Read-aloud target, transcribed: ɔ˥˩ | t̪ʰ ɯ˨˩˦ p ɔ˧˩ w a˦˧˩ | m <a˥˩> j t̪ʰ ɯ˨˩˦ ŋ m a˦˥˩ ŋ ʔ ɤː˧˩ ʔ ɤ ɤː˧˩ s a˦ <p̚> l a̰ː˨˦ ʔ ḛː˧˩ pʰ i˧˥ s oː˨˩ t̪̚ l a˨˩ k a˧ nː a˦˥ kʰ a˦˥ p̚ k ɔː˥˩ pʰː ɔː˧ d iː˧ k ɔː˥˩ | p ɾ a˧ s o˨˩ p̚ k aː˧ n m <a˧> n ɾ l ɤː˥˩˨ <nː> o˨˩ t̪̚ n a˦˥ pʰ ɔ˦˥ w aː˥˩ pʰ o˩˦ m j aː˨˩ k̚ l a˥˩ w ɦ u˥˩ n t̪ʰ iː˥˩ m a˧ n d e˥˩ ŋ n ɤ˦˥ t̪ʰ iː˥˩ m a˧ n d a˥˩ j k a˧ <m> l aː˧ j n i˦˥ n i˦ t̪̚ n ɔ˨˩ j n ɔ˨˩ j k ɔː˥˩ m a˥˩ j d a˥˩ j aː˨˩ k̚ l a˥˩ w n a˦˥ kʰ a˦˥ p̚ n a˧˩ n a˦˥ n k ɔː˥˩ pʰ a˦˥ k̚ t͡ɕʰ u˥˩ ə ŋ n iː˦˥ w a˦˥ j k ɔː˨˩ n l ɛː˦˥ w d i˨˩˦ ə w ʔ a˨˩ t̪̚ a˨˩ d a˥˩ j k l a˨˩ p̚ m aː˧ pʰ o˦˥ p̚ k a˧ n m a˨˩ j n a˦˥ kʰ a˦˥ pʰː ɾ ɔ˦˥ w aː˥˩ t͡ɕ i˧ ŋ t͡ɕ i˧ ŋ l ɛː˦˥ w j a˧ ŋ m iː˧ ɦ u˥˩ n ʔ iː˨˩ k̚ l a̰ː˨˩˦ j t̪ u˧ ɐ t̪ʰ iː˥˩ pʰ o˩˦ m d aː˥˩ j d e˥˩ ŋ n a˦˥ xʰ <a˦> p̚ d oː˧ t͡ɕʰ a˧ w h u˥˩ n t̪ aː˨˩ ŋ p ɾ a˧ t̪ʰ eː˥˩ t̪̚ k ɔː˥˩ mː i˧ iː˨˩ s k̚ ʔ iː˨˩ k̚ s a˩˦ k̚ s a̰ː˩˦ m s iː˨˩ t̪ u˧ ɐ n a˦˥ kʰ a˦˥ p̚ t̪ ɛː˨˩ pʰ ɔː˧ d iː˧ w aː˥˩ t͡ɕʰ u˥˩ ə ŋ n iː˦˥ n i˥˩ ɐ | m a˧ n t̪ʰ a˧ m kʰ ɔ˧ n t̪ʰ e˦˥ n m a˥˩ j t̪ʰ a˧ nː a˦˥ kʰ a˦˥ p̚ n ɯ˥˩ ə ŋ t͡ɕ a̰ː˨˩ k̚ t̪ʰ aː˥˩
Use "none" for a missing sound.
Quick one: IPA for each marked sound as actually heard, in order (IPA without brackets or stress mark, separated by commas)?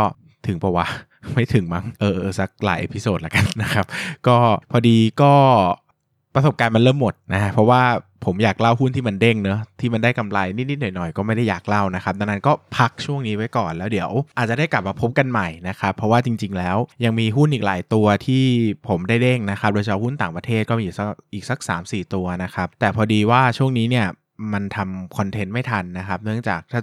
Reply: a˥˩, k̚, a˧, mː, m, a˦